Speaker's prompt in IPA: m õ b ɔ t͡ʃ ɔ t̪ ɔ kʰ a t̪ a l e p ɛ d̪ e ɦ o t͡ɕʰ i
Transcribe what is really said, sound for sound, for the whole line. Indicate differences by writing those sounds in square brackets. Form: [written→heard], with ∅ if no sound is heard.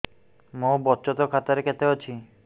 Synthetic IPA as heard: m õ b ɔ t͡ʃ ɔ t̪ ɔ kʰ a t̪ a [l→ɾ] e [p→k] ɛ [d̪→t̪] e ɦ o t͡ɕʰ i